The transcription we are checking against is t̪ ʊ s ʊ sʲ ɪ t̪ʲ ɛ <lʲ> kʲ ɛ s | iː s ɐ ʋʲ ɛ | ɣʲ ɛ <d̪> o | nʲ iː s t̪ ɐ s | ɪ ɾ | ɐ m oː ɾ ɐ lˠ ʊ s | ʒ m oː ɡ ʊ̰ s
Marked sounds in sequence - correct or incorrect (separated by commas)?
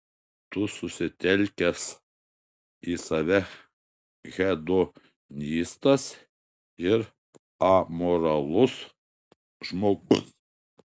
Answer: correct, correct